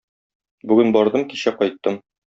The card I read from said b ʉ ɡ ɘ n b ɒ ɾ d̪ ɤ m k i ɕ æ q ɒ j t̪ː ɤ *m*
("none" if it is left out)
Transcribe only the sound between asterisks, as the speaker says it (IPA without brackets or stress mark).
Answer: m